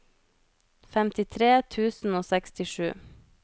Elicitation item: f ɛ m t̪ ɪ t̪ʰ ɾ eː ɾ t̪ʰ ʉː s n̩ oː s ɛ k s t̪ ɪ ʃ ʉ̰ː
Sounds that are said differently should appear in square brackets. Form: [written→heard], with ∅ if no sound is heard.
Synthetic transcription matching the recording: f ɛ m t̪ ɪ t̪ʰ ɾ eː [ɾ→∅] t̪ʰ ʉː s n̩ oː s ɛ k s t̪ ɪ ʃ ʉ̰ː